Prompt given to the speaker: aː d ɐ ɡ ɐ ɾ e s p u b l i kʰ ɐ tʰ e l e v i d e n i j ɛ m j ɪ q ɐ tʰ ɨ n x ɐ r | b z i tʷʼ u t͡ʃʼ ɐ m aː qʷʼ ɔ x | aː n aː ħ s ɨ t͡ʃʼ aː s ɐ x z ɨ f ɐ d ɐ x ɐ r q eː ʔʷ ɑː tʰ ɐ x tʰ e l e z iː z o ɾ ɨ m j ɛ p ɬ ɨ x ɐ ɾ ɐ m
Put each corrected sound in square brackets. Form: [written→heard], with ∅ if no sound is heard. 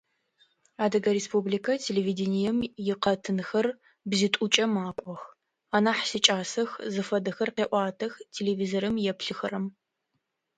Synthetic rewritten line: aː d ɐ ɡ ɐ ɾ e s p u b l i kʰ ɐ tʰ e l e v i d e n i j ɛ m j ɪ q ɐ tʰ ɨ n x ɐ r | b z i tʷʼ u t͡ʃʼ ɐ m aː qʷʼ ɔ x | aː n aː ħ s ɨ t͡ʃʼ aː s ɐ x z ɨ f ɐ d ɐ x ɐ r q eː ʔʷ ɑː tʰ ɐ x tʰ e l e [z→v] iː z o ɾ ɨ m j ɛ p ɬ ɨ x ɐ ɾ ɐ m